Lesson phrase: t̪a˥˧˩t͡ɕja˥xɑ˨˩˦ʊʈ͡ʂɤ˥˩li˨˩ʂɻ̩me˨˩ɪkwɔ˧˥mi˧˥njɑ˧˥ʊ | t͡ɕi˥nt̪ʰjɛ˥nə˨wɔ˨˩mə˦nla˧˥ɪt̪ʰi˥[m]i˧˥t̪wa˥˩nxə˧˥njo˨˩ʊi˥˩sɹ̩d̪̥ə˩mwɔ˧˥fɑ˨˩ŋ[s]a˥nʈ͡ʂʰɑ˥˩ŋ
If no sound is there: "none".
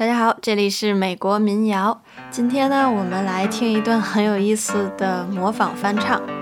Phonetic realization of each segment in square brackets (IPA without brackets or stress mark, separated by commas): ŋ, f